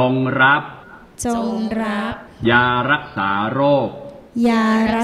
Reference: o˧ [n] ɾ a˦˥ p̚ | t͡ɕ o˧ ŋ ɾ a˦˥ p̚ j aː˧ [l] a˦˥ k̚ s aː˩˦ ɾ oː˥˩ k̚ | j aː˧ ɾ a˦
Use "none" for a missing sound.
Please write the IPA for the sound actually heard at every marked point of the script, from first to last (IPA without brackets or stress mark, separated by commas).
ŋ, ɾ